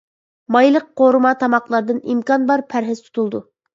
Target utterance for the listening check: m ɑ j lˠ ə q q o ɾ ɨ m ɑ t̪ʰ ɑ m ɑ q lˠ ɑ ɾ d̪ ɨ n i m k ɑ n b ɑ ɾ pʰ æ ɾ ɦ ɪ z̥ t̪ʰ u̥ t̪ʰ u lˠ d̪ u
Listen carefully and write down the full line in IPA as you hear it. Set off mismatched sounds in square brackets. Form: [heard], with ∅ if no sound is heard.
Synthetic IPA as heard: m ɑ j lˠ ə q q o ɾ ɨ m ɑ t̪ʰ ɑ m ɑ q lˠ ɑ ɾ d̪ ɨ n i m k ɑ n b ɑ ɾ pʰ æ ɾ ɦ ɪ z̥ t̪ʰ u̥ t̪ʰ u lˠ d̪ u